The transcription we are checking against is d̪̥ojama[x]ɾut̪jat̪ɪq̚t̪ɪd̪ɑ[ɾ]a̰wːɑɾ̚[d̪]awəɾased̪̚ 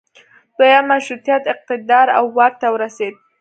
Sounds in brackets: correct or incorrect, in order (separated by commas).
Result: incorrect, correct, incorrect